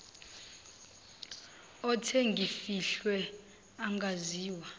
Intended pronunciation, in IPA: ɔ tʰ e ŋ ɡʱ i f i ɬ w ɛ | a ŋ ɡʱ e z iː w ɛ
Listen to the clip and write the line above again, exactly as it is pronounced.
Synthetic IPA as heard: ɔ tʰ e ŋ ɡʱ i f i ɬ w ɛ | a ŋ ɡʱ a z iː w a